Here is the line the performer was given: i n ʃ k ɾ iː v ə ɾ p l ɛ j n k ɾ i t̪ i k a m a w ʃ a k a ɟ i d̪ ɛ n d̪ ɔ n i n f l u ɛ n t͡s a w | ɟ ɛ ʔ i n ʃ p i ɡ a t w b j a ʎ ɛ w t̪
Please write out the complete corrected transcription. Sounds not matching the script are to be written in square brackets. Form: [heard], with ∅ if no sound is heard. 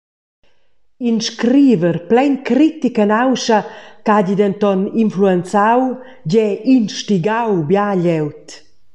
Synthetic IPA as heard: i n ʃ k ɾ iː v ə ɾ p l ɛ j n k ɾ i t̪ i k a [n] a w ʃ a k a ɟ i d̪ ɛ n [t̪] ɔ n i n f l u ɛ n t͡s a w | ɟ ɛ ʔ i n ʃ [t] i ɡ a [∅] w b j a ʎ ɛ w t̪